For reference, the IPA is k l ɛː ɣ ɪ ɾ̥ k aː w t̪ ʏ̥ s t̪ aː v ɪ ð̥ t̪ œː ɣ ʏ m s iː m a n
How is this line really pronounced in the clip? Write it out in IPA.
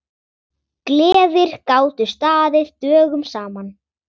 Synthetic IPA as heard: k l ɛː v ɪ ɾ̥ k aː w t̪ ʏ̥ s t̪ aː ð ɪ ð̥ t̪ œː ɣ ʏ m s aː m a n